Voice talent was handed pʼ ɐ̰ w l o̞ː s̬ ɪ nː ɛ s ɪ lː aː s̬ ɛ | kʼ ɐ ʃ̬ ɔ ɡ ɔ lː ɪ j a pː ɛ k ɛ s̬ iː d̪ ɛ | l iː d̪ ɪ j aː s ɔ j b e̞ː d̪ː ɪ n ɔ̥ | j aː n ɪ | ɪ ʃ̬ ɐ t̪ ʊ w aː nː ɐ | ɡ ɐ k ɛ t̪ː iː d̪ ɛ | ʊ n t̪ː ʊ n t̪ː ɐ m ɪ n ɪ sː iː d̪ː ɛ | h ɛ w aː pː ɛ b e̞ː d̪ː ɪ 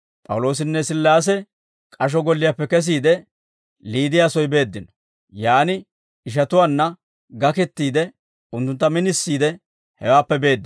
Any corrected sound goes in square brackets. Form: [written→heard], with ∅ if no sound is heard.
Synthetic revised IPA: pʼ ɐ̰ w l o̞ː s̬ ɪ nː ɛ s ɪ lː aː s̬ ɛ | kʼ ɐ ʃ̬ ɔ ɡ ɔ lː ɪ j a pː ɛ k ɛ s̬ iː d̪ ɛ | l iː d̪ ɪ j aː s ɔ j b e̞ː d̪ː ɪ n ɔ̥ | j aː n ɪ | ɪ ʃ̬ ɐ t̪ ʊ w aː nː ɐ | ɡ ɐ k ɛ t̪ː iː d̪ ɛ | ʊ n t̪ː ʊ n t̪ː ɐ m ɪ n ɪ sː iː [d̪ː→d̪] ɛ | h ɛ w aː pː ɛ b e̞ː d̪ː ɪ